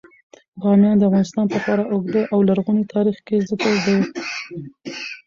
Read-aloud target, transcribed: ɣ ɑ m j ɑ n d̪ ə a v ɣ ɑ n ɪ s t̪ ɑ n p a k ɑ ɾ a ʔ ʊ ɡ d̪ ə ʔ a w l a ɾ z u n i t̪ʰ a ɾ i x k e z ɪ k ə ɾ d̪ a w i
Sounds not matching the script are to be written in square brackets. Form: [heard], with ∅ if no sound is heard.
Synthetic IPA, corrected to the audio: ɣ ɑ m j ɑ n d̪ ə a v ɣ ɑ n ɪ s t̪ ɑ n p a [p] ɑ ɾ a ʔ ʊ ɡ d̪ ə ʔ a w l a ɾ [ɣ] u n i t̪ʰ [ɑ] ɾ i x k e z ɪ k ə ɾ d̪ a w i